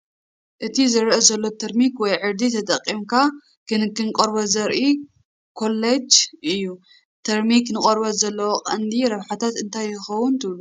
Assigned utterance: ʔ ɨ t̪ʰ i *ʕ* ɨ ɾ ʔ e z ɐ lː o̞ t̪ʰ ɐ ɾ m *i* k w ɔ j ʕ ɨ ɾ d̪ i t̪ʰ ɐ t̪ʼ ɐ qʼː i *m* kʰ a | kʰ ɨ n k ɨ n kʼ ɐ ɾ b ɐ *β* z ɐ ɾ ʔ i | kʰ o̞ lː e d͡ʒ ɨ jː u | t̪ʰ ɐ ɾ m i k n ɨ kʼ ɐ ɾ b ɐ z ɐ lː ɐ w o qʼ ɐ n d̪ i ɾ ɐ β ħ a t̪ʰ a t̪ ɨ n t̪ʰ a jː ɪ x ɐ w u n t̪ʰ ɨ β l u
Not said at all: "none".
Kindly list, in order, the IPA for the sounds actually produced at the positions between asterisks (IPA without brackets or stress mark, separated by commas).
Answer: z, i, m, none